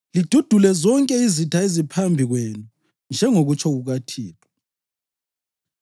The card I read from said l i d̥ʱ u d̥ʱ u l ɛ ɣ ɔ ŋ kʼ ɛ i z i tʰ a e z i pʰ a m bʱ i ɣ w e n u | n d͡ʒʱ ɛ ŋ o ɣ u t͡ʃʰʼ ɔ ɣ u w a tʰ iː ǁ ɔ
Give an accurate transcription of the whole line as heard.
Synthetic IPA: l i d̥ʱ u d̥ʱ u l ɛ z ɔ ŋ kʼ ɛ i z i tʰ a e z i pʰ a m bʱ i ɣ w e n u | n d͡ʒʱ ɛ ŋ o ɣ u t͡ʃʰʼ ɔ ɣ u ɣ a tʰ iː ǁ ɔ